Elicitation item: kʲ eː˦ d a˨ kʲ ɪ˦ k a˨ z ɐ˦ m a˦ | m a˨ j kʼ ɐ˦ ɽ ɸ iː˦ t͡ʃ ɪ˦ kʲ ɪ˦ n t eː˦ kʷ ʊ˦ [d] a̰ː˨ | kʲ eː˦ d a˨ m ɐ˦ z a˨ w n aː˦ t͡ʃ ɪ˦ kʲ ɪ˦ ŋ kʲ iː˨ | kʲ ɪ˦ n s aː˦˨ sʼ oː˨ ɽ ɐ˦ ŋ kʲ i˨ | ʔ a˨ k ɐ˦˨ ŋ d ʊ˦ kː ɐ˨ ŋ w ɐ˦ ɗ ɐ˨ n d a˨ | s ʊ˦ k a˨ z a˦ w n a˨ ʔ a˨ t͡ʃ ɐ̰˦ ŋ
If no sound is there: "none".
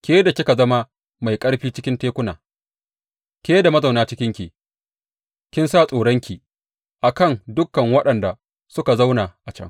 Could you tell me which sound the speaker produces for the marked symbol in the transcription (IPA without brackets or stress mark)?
n